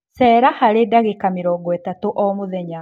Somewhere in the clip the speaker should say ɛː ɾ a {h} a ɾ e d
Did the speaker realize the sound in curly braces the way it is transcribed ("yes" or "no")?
yes